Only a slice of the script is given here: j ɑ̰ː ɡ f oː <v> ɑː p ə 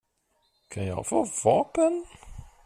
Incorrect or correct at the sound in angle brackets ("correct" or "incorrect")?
correct